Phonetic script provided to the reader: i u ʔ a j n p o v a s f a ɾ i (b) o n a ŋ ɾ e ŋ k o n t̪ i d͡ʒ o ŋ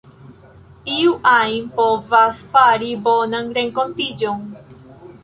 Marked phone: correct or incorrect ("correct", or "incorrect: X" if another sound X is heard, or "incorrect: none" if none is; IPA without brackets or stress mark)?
correct